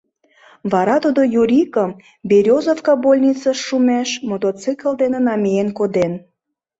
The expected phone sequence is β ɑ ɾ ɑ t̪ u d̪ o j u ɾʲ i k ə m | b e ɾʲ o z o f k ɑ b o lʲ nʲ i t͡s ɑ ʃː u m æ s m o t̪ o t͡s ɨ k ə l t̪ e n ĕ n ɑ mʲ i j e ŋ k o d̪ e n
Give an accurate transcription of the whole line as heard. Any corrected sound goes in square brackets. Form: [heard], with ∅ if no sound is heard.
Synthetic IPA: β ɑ ɾ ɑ t̪ u d̪ o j u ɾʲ i k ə m | b e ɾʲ o z o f k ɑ b o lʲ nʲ i t͡s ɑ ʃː u m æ [ʃ] m o t̪ o t͡s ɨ k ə l [d̪] e n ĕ n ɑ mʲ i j e [n] k o d̪ e n